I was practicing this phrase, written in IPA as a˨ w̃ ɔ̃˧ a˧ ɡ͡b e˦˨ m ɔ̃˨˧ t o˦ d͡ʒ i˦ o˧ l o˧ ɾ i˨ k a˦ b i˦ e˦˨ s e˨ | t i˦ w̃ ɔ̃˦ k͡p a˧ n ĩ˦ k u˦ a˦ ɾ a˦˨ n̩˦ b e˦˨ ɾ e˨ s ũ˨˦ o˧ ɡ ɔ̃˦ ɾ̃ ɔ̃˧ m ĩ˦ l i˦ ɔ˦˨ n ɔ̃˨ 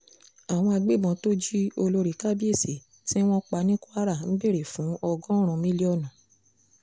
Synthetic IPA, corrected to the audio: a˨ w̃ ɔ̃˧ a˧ ɡ͡b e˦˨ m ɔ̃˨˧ t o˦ d͡ʒ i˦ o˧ l o˧ ɾ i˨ k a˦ b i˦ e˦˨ s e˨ | t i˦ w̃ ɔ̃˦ k͡p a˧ n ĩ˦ k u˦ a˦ ɾ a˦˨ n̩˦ b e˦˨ ɾ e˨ f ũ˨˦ ɔ˧ ɡ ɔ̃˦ ɾ̃ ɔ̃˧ m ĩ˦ l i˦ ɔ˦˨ n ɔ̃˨